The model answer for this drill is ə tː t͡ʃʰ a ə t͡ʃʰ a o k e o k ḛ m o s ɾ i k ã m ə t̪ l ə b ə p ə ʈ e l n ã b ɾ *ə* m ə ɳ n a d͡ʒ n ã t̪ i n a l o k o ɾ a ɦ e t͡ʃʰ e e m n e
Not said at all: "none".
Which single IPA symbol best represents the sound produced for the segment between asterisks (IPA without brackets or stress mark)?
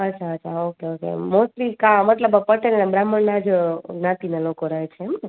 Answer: a